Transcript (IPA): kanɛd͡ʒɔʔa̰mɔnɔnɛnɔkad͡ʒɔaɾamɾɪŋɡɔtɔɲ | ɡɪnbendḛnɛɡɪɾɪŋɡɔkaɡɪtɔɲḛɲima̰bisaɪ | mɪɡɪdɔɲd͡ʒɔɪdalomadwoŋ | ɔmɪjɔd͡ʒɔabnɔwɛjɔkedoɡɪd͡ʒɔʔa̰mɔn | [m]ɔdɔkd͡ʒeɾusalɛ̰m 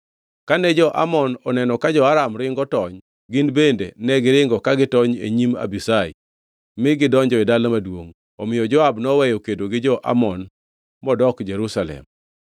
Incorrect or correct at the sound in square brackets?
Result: correct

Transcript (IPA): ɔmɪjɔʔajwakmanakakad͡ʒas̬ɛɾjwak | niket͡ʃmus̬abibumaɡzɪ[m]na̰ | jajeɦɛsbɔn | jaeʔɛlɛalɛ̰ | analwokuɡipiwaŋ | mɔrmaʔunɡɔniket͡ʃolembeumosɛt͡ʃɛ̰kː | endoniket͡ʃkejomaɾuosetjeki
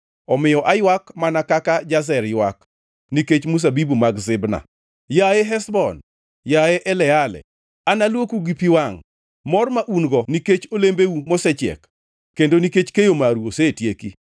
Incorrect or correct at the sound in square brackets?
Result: incorrect: b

